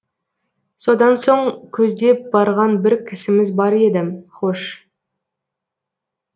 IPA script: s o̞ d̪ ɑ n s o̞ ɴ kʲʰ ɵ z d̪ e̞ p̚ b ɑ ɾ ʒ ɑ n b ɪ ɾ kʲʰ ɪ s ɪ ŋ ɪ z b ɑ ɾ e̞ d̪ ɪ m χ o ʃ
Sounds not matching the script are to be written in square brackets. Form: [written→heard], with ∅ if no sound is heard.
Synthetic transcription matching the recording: s o̞ d̪ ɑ n s o̞ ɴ kʲʰ ɵ z d̪ e̞ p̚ b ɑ ɾ [ʒ→ʁ] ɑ n b ɪ ɾ kʲʰ ɪ s ɪ [ŋ→m] ɪ z b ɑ ɾ e̞ d̪ ɪ m χ o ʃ